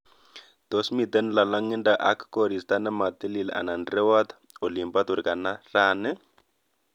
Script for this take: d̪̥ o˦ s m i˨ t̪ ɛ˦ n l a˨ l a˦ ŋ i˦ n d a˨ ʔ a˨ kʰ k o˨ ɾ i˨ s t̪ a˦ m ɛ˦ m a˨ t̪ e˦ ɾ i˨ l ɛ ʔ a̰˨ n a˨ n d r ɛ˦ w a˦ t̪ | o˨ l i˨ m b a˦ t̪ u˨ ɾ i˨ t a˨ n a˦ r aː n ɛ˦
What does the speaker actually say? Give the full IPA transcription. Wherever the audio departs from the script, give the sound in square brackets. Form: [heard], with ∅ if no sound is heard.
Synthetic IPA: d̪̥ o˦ s m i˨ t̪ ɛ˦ n l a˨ l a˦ ŋ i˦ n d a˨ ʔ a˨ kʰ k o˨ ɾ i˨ s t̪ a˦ [n] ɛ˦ m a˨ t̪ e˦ [l] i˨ l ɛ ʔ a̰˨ n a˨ n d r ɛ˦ w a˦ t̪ | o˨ l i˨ m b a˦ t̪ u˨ ɾ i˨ [k] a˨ n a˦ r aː n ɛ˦